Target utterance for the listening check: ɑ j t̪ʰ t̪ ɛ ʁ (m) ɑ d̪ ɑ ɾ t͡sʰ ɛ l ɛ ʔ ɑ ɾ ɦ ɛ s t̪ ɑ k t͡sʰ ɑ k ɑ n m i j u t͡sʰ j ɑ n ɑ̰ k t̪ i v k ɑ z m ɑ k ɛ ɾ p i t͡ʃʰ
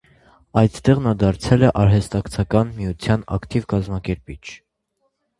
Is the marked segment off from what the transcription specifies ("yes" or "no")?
yes